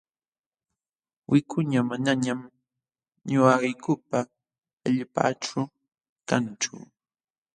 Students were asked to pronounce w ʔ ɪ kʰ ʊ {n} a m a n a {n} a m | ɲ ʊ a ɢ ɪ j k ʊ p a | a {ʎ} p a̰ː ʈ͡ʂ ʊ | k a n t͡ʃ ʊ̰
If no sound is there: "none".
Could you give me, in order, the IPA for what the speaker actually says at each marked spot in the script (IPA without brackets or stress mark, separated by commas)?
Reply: ɲ, ɲ, ʎ